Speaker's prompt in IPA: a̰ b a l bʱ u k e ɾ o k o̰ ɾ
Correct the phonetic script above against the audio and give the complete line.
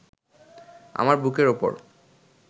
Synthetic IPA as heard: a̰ m a ɾ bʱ u k e ɾ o p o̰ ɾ